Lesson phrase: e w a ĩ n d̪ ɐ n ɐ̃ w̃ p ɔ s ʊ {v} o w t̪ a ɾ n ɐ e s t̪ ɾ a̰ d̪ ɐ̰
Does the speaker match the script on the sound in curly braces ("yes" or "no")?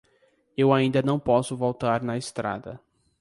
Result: yes